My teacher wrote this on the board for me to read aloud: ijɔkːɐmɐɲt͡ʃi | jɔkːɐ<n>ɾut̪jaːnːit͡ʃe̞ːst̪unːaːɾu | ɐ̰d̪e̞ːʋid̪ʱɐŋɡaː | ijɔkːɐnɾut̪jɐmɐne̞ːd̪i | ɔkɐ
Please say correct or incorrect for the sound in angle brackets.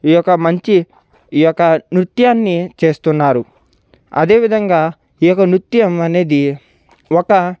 correct